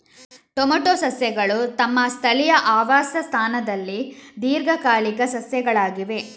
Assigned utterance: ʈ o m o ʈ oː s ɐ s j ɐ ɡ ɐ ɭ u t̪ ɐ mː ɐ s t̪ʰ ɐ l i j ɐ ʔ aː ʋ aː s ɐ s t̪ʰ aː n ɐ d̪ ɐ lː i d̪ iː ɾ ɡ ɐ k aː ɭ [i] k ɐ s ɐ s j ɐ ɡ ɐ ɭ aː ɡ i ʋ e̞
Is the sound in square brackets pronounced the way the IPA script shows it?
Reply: yes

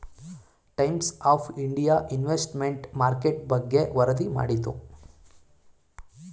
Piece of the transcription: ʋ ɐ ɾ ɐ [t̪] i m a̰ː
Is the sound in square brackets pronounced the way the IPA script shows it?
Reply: no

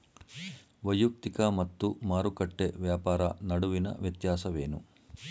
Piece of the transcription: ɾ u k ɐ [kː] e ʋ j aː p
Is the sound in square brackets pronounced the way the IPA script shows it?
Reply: no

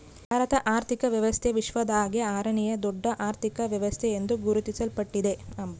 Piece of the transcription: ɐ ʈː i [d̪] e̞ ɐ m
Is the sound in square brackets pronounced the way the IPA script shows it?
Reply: yes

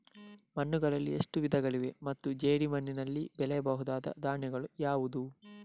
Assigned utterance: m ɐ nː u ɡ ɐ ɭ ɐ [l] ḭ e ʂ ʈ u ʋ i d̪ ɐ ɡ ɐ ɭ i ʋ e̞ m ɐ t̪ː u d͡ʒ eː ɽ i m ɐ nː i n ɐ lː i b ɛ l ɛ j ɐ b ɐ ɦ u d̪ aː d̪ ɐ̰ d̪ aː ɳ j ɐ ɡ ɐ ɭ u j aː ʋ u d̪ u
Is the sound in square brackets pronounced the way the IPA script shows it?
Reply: no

